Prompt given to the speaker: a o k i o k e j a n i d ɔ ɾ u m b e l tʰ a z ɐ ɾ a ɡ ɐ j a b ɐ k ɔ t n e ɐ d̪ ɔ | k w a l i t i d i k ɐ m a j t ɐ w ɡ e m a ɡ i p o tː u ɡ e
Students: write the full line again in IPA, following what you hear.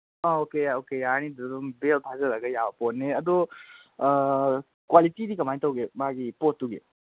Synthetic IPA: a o k e o k e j a n i d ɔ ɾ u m b e l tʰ a z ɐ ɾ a ɡ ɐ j a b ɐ p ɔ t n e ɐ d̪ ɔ | k w a l i t i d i k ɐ m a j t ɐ w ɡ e m a ɡ i p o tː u ɡ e

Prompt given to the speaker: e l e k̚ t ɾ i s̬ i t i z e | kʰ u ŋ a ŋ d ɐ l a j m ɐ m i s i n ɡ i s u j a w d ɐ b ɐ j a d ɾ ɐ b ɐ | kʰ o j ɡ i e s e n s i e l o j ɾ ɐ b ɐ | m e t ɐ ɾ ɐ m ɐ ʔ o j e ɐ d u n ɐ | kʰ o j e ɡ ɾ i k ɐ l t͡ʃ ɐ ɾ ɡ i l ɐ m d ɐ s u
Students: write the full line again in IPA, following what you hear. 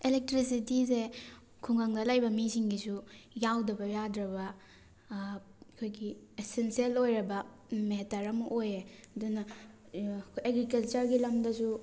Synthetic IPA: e l e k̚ t ɾ i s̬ i t i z e | kʰ u ŋ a ŋ d ɐ l a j b ɐ m i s i ŋ ɡ i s u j a w d ɐ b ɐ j a d ɾ ɐ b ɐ | kʰ o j ɡ i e s e n s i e l o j ɾ ɐ b ɐ | m e t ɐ ɾ ɐ m ɐ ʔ o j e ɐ d u n ɐ | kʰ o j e ɡ ɾ i k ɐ l t͡ʃ ɐ ɾ ɡ i l ɐ m d ɐ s u

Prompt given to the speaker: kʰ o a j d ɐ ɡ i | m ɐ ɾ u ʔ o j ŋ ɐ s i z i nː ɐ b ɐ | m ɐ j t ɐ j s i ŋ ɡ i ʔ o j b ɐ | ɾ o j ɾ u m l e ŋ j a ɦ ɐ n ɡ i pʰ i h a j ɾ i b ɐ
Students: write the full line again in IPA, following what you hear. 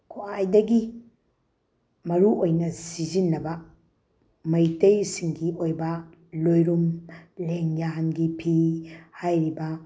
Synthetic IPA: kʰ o a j d ɐ ɡ i | m ɐ ɾ u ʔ o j n ɐ s i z i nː ɐ b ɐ | m ɐ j t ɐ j s i ŋ ɡ i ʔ o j b ɐ | l o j ɾ u m l e ŋ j a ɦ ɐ n ɡ i pʰ i h a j ɾ i b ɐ

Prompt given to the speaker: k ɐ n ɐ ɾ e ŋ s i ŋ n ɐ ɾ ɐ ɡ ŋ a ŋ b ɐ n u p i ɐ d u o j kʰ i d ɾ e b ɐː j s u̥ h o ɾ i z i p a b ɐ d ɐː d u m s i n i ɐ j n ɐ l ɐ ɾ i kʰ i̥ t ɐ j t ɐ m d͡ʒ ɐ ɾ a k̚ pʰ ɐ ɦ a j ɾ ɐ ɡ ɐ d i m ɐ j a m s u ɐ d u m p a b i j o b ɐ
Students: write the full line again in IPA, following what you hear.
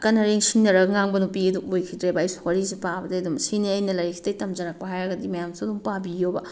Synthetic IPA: k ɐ n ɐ ɾ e ŋ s i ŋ n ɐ ɾ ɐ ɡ ŋ a ŋ b ɐ n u p i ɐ d u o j kʰ i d ɾ e b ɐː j s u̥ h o ɾ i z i p a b ɐ d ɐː d u m s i n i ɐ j n ɐ l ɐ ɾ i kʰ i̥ t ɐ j t ɐ m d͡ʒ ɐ ɾ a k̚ p ɐ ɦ a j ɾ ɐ ɡ ɐ d i m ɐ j a m s u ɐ d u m p a b i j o b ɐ

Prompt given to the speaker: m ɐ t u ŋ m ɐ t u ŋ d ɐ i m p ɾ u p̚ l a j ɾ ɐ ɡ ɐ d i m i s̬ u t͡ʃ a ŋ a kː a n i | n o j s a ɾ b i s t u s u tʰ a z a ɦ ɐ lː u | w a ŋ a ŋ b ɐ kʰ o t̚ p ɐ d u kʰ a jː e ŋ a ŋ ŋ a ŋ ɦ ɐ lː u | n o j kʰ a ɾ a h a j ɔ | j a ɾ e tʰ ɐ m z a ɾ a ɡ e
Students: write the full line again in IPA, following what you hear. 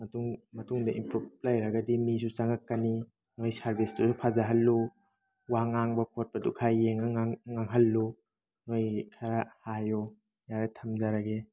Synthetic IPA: m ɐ t u ŋ m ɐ t u ŋ d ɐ i m p ɾ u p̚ l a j ɾ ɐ ɡ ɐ d i m i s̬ u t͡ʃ a ŋ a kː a n i | n o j s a ɾ b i s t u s u pʰ a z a ɦ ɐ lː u | w a ŋ a ŋ b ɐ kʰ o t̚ p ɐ d u kʰ a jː e ŋ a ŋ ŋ a ŋ ɦ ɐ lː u | n o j kʰ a ɾ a h a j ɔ | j a ɾ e tʰ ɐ m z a ɾ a ɡ e

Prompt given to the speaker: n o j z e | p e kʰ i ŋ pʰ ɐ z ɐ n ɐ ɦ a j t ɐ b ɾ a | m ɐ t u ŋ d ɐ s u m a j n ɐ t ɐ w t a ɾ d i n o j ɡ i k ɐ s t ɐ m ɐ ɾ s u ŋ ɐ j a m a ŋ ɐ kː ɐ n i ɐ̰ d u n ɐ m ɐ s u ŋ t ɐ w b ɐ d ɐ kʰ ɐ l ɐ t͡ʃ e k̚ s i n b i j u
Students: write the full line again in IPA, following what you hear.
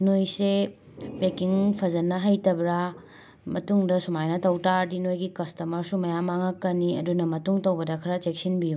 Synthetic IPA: n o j s e | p e k i ŋ pʰ ɐ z ɐ n ɐ ɦ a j t ɐ b ɾ a | m ɐ t u ŋ d ɐ s u m a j n ɐ t ɐ w t a ɾ d i n o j ɡ i k ɐ s t ɐ m ɐ ɾ s u m ɐ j a m a ŋ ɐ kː ɐ n i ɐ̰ d u n ɐ m ɐ t u ŋ t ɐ w b ɐ d ɐ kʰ ɐ ɾ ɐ t͡ʃ e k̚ s i n b i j u

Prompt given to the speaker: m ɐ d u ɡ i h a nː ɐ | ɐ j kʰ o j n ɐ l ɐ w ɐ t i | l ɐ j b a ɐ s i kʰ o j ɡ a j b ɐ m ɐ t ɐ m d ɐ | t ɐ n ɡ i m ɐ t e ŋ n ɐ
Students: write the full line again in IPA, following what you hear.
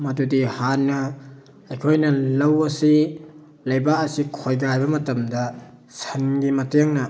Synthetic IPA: m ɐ d u d i h a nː ɐ | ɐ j kʰ o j n ɐ l ɐ w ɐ s i | l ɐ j b a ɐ s i kʰ o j ɡ a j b ɐ m ɐ t ɐ m d ɐ | s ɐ n ɡ i m ɐ t e ŋ n ɐ

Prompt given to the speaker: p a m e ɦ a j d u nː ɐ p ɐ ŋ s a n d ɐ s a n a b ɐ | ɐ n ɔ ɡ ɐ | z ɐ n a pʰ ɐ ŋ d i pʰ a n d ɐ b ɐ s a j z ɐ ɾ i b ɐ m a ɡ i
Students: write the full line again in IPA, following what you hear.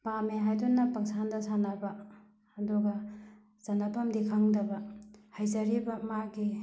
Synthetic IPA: p a m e ɦ a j d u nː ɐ p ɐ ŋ s a n d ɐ s a n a b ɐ | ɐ d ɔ ɡ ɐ | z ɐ n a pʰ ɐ m d i kʰ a ŋ d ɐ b ɐ h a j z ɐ ɾ i b ɐ m a ɡ i

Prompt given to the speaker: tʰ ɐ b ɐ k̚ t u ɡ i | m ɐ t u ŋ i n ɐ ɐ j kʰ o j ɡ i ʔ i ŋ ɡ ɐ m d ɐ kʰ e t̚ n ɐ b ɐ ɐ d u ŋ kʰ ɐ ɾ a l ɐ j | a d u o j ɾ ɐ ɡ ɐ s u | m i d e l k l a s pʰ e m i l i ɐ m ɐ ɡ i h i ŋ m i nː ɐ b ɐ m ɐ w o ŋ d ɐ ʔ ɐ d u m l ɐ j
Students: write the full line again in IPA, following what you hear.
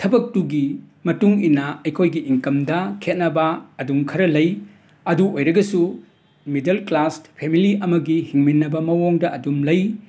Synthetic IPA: tʰ ɐ b ɐ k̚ t u ɡ i | m ɐ t u ŋ i n ɐ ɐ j kʰ o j ɡ i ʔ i ŋ k ɐ m d ɐ kʰ e t̚ n ɐ b ɐ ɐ d u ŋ kʰ ɐ ɾ ɐ l ɐ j | ɐ d u o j ɾ ɐ ɡ ɐ s u | m i d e l k l a s pʰ e m i l i ɐ m ɐ ɡ i h i ŋ m i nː ɐ b ɐ m ɐ w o ŋ d ɐ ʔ ɐ d u m l ɐ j

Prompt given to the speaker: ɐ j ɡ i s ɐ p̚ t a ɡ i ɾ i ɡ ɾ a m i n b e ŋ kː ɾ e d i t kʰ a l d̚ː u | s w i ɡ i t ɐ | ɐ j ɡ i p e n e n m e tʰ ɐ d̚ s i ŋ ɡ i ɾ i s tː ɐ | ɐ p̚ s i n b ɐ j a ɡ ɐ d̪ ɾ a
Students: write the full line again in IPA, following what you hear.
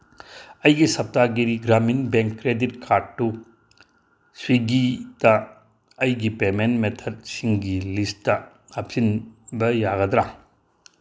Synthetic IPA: ɐ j ɡ i s ɐ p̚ t a ɡ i ɾ i ɡ ɾ a m i n b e ŋ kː ɾ e d i t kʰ a ɾ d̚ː u | s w i ɡ i t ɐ | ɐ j ɡ i p e m e n m e tʰ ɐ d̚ s i ŋ ɡ i l i s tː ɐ | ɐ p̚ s i n b ɐ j a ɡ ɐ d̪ ɾ a

